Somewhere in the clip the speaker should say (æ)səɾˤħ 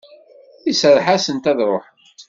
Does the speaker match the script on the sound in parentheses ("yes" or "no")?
no